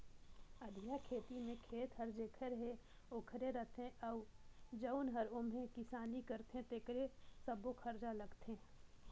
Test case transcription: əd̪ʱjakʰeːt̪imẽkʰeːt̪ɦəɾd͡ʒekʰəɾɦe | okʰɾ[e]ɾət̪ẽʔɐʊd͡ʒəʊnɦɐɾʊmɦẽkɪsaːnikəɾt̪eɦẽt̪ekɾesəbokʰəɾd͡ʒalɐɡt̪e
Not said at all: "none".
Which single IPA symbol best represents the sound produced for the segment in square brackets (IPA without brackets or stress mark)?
e